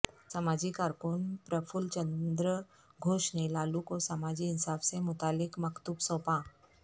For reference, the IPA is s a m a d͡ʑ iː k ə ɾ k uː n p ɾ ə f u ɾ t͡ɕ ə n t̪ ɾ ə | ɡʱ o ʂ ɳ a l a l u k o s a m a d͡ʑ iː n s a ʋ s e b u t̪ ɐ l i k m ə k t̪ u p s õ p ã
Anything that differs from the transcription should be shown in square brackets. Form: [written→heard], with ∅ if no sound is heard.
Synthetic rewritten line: s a m a d͡ʑ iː k [ə→a] ɾ k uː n p ɾ ə f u [ɾ→l] t͡ɕ ə n [t̪→d̪] ɾ ə | ɡʱ o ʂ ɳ [a→e] l a l u k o s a m a d͡ʑ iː n s a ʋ s e [b→m] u t̪ [ɐ→a] l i k m ə k t̪ u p s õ p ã